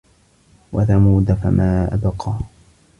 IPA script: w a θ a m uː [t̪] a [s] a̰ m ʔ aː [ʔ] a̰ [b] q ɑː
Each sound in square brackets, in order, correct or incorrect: incorrect, incorrect, correct, correct

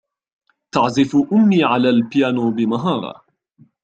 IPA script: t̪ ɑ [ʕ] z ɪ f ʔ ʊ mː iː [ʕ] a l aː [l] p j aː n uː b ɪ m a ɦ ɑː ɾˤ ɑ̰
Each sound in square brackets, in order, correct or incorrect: correct, correct, correct

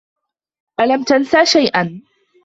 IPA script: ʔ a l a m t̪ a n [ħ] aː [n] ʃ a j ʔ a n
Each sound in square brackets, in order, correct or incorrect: incorrect, incorrect

